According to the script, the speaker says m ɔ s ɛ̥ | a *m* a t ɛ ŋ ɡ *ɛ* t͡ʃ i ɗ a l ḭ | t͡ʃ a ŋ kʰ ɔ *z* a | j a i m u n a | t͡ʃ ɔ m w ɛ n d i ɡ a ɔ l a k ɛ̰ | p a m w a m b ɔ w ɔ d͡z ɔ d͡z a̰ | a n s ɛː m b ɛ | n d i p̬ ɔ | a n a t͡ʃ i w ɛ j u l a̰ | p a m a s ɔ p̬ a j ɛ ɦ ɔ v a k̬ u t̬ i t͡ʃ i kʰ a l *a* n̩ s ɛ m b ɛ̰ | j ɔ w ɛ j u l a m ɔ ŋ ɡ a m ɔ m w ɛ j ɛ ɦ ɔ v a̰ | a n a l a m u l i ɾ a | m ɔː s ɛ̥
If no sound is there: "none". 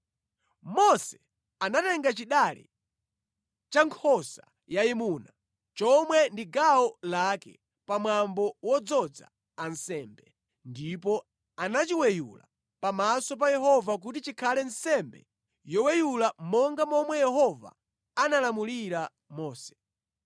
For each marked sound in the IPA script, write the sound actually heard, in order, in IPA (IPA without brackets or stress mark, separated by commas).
n, a, s, ɛ